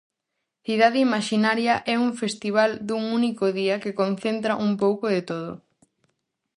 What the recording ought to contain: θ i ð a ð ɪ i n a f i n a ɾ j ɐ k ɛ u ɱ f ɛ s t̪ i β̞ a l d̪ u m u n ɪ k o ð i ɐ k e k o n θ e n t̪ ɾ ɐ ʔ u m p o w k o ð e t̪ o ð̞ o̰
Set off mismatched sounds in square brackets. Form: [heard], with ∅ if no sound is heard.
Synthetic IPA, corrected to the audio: θ i ð a ð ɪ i [m] a [ʃ] i n a ɾ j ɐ [ʔ] ɛ u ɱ f [e] s t̪ i β̞ a l d̪ u [ŋ] u n [i] k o ð i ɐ k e k o n θ e n t̪ ɾ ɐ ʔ u m p o w k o ð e t̪ o ð̞ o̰